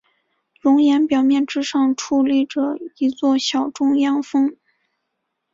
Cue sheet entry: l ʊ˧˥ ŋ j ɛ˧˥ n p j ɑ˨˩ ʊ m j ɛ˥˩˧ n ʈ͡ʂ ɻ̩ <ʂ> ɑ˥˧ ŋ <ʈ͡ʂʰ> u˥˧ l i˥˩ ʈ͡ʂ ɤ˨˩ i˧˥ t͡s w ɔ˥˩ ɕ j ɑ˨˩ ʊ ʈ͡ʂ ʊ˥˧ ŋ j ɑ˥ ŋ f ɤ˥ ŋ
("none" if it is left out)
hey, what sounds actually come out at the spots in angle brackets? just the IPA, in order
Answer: ʂ, ʈ͡ʂʰ

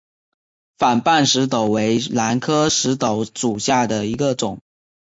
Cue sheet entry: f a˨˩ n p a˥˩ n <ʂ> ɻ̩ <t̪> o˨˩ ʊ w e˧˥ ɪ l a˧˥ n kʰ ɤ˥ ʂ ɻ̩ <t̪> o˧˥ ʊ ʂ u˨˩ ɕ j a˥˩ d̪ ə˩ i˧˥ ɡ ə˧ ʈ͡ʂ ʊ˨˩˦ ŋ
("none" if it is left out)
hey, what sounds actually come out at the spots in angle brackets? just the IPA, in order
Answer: ʂ, t̪, t̪

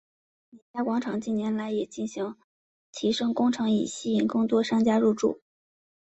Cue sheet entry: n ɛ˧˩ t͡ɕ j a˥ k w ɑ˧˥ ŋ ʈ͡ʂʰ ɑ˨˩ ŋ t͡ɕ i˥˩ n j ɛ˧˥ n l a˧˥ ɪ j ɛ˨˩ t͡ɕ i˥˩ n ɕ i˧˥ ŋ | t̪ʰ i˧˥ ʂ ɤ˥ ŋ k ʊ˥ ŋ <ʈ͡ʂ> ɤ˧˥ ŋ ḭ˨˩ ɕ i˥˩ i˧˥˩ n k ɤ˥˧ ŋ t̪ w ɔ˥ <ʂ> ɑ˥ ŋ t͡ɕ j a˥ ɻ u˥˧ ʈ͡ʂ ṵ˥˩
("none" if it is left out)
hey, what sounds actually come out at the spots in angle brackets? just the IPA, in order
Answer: ʈ͡ʂʰ, ʂ

